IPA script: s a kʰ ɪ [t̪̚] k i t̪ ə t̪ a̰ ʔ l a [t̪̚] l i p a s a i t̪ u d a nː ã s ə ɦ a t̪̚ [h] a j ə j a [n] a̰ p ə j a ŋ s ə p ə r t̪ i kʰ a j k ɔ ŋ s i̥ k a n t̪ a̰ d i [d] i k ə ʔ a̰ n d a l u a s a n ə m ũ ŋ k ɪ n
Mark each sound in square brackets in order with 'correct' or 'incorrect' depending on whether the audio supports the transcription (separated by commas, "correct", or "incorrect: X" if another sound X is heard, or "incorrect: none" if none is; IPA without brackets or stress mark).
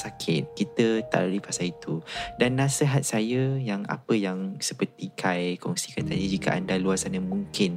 correct, incorrect: none, incorrect: s, incorrect: ŋ, incorrect: d͡ʒ